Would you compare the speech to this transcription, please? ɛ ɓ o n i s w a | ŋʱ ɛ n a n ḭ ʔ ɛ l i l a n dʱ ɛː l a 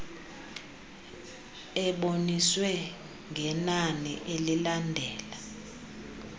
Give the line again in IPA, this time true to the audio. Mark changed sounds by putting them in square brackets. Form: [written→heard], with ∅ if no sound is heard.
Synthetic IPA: ɛ ɓ o n i s w [a→ɛ] | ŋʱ ɛ n a n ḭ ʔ [ɛ→e] l i l a n dʱ ɛː l a